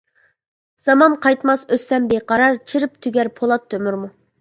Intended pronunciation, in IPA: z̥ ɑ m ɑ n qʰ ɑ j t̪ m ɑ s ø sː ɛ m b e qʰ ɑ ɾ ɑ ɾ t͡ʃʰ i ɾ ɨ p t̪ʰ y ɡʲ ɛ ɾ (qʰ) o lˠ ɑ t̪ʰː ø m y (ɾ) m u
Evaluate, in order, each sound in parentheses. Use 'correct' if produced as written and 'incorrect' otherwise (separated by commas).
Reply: incorrect, correct